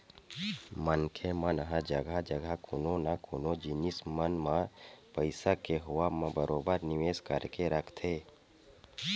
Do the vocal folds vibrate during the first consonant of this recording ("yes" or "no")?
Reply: yes